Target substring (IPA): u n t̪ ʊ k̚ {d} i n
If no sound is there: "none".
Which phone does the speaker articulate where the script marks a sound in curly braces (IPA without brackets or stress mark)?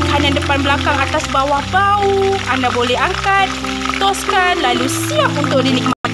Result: d